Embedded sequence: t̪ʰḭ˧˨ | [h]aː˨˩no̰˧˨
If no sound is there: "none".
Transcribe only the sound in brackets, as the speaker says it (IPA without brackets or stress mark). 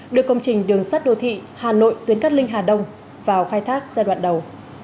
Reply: h